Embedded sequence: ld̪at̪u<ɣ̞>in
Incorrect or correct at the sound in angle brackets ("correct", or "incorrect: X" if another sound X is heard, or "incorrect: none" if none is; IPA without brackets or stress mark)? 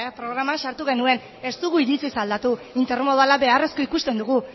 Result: incorrect: none